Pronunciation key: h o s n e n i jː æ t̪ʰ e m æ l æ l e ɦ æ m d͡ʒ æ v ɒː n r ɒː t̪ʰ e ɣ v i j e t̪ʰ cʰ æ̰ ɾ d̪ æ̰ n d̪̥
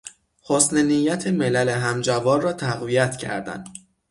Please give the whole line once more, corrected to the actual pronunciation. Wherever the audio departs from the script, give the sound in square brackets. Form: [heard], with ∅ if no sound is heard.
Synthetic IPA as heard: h o s n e n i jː æ t̪ʰ e m [e] l æ l e ɦ æ m d͡ʒ æ v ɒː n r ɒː t̪ʰ [æ] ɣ v i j [æ] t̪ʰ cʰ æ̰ ɾ d̪ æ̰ n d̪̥